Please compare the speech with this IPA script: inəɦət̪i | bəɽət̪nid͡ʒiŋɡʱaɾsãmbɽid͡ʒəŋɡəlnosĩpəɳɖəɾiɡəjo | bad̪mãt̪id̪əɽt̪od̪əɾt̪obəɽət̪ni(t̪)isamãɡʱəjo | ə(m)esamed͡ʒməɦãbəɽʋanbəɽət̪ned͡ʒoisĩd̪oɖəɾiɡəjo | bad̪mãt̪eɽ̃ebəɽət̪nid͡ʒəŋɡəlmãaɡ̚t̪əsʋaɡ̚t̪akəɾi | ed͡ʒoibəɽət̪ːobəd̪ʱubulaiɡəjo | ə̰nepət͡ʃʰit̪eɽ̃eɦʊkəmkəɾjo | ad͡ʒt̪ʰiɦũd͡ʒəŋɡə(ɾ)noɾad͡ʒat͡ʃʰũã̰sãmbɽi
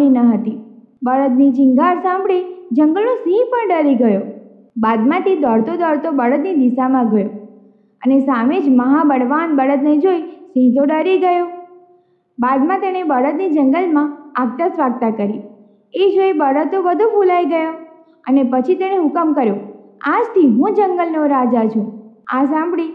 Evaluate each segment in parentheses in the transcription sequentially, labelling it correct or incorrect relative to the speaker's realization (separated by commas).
incorrect, incorrect, incorrect